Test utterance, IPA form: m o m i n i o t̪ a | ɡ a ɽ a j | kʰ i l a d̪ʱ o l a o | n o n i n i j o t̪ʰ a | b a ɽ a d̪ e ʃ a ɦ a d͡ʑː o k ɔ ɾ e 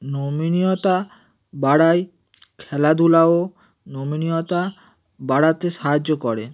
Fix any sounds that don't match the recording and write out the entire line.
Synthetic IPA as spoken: n o m i n i o t̪ a | b a ɽ a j | kʰ ɛ l a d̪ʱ u l a o | n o m i n i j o t̪ a | b a ɽ a t̪ e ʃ a ɦ a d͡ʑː o k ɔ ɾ e